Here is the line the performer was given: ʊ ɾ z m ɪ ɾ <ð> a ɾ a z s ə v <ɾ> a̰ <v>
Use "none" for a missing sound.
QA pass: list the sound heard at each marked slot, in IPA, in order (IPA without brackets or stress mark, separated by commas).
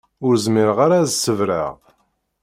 ʁ, ɾ, ʁ